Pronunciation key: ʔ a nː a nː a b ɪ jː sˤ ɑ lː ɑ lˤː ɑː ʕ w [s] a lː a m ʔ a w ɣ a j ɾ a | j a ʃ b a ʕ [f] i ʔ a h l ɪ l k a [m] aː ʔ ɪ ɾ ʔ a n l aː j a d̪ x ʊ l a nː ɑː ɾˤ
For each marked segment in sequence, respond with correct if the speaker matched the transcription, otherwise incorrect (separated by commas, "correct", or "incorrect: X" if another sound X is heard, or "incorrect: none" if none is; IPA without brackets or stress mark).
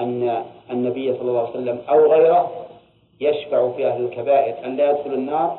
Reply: correct, correct, incorrect: b